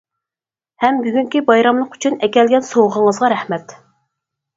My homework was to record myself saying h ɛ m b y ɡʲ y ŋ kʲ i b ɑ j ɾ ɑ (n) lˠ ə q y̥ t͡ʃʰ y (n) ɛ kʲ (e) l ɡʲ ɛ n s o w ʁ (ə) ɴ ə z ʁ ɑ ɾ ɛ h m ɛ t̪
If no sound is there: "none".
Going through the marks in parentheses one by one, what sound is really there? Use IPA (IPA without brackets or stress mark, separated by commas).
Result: m, n, ɛ, ə